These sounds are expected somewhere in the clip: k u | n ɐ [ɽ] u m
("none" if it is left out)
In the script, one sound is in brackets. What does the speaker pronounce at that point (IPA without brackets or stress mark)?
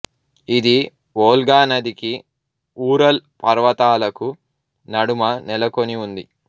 ɽ